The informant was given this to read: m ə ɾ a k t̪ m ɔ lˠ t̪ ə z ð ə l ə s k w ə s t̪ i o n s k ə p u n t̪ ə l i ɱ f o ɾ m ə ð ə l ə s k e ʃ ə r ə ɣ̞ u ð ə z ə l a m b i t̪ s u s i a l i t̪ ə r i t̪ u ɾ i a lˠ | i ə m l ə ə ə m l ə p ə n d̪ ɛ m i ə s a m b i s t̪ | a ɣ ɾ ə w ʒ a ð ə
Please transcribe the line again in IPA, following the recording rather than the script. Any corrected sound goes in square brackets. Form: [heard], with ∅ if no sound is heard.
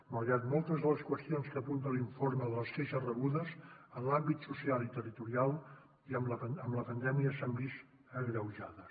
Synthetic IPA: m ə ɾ a [∅] t̪ m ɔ lˠ t̪ ə z ð ə l ə s k w ə s t̪ i o n s k ə p u n t̪ ə l i ɱ f o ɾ m ə ð ə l ə s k e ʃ ə r ə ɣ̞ u ð ə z ə l a m b i t̪ s u s i a l i t̪ ə r i t̪ u ɾ i a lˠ | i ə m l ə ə ə m l ə p ə n d̪ ɛ m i ə s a m b i s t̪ | [ə] ɣ ɾ ə w ʒ a ð ə